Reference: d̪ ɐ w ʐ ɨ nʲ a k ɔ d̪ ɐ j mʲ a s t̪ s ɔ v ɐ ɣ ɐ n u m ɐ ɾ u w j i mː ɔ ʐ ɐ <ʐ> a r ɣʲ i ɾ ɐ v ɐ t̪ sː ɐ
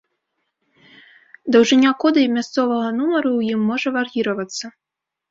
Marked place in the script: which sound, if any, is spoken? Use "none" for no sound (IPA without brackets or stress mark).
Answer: v